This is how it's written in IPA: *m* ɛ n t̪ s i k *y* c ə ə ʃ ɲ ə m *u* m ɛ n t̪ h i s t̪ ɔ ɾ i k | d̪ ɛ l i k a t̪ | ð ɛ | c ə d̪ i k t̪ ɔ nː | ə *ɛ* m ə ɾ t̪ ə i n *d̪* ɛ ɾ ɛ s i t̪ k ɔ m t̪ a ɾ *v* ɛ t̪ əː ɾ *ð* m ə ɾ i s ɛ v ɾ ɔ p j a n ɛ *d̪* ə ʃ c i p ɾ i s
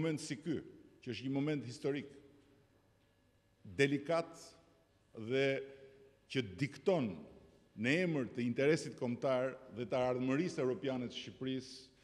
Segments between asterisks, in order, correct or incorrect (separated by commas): correct, correct, incorrect, correct, incorrect, incorrect, correct, incorrect